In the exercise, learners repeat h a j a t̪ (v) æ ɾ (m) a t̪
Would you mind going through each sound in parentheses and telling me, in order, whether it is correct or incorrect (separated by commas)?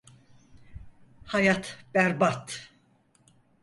incorrect, incorrect